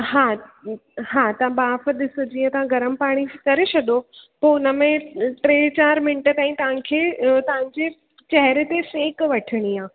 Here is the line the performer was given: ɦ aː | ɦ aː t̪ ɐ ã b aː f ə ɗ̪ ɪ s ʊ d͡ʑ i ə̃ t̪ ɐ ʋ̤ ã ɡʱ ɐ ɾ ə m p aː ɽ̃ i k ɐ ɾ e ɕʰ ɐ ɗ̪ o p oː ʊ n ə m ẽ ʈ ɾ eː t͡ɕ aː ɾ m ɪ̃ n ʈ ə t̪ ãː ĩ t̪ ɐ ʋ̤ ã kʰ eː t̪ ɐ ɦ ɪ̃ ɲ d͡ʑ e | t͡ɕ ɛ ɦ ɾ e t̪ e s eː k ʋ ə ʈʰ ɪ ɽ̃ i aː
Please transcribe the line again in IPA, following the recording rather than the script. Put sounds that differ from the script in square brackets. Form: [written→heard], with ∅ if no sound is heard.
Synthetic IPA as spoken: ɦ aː | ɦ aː t̪ ɐ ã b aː f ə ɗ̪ ɪ s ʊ d͡ʑ i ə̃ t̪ ɐ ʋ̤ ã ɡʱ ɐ ɾ ə m p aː ɽ̃ i k ɐ ɾ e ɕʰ ɐ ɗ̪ o p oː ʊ n ə m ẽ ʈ ɾ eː t͡ɕ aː ɾ m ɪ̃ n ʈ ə t̪ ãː ĩ t̪ ɐ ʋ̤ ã kʰ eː t̪ ɐ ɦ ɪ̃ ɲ d͡ʑ e | t͡ɕ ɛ ɦ ɾ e t̪ e s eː k ʋ [ə→ɐ] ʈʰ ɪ ɽ̃ i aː